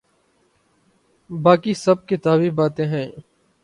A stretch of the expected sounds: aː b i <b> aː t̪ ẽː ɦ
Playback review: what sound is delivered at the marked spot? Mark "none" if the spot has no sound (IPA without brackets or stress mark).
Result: b